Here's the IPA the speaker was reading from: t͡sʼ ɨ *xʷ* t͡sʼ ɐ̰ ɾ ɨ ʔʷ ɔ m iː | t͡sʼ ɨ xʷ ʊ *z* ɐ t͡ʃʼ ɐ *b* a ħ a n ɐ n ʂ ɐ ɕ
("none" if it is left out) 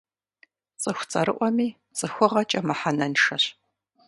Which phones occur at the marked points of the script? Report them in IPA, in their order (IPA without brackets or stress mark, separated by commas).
xʷ, ʁ, m